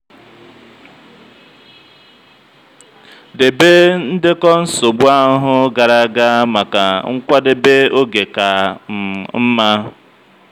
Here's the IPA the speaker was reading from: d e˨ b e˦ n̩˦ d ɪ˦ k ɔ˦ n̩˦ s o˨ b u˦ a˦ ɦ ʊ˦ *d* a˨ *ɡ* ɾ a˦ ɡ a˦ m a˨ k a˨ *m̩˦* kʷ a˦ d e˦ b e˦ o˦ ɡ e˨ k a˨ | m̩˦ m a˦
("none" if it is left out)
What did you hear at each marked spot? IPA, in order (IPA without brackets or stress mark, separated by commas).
ɡ, none, ŋ̩˦